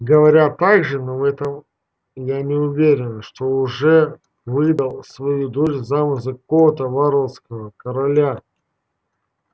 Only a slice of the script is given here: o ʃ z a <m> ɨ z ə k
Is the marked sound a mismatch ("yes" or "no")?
no